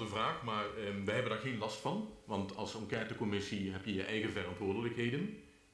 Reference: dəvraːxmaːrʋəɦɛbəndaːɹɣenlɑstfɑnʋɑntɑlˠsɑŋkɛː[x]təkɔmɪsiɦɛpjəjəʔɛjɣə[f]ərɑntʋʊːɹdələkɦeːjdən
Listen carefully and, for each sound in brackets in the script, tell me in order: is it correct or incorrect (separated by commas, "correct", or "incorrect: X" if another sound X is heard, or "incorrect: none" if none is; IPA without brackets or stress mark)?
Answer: incorrect: none, incorrect: v